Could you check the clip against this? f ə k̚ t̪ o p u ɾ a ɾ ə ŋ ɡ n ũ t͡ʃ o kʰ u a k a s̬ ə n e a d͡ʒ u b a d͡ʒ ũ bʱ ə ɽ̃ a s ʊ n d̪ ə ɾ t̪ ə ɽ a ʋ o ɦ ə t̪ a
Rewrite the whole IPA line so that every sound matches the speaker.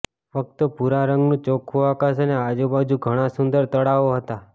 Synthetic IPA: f ə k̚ t̪ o p u ɾ a ɾ ə ŋ ɡ n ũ t͡ʃ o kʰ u a k a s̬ ə n e a d͡ʒ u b a d͡ʒ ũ ɡʱ ə ɽ̃ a s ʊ n d̪ ə ɾ t̪ ə ɽ a ʋ o ɦ ə t̪ a